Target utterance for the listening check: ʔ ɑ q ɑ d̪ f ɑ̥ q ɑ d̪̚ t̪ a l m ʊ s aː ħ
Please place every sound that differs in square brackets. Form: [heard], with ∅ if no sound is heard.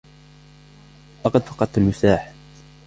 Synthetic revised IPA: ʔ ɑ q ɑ d̪ f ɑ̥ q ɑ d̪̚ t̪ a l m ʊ s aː ħ